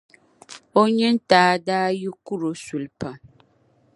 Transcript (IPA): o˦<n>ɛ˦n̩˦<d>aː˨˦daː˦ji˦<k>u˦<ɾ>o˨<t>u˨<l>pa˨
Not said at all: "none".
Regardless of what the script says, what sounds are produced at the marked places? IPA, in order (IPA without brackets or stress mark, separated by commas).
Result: ɲ, t, k, ɾ, s, l